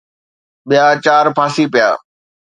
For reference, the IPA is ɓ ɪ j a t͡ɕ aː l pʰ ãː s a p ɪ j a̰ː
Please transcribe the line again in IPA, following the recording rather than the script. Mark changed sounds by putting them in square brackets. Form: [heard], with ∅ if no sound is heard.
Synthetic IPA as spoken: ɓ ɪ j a t͡ɕ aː [ɾ] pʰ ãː s [i] p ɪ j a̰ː